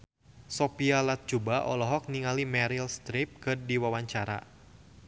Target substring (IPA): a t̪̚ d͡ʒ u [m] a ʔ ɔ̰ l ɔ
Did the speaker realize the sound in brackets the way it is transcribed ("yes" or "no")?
no